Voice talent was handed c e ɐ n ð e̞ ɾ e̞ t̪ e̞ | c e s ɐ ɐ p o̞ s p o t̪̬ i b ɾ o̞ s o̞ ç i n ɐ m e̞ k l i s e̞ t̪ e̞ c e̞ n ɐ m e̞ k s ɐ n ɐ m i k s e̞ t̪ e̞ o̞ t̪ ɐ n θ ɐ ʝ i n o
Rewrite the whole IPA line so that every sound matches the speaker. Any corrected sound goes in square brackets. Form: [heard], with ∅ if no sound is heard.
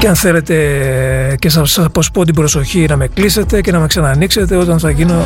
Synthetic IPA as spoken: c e ɐ n [θ] e̞ [l] e̞ t̪ e̞ | c e s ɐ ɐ p o̞ s p o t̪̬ i b ɾ o̞ s o̞ ç i n ɐ m e̞ k l i s e̞ t̪ e̞ c e̞ n ɐ m e̞ k s ɐ n ɐ [n] i k s e̞ t̪ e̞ o̞ t̪ ɐ n θ ɐ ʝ i n o